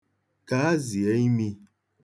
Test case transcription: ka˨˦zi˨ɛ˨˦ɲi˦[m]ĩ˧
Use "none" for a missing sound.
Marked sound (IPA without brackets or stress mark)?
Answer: m